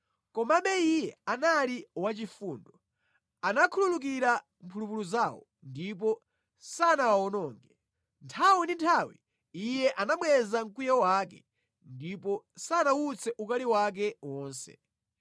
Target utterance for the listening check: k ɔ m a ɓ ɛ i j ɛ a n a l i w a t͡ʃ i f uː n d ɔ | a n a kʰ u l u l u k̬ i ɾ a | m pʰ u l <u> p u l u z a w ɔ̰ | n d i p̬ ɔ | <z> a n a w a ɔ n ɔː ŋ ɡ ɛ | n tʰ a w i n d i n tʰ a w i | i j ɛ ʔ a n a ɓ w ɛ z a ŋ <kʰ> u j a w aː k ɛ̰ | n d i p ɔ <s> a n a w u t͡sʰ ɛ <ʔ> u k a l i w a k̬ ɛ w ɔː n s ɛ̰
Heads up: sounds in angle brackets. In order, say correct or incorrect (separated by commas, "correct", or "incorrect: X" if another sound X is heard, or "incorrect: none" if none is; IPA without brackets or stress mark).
correct, incorrect: s, incorrect: k, correct, correct